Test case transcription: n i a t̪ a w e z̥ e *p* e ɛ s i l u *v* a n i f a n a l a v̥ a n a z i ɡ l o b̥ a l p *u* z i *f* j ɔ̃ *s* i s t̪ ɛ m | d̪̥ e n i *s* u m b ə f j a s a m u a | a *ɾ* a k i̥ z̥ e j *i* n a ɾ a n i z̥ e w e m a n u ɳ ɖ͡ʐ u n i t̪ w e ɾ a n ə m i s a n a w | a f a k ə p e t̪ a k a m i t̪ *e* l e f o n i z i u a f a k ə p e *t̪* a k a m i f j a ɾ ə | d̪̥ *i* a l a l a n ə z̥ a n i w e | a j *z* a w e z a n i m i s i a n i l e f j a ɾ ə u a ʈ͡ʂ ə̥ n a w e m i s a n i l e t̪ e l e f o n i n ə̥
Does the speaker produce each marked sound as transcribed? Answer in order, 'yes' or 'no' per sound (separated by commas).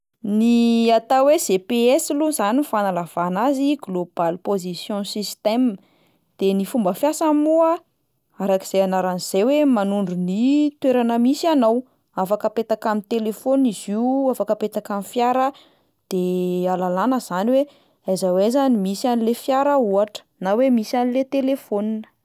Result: yes, no, no, no, yes, no, yes, no, yes, yes, no, yes